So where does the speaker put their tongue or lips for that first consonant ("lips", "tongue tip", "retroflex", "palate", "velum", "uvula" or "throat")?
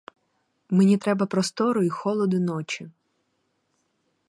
lips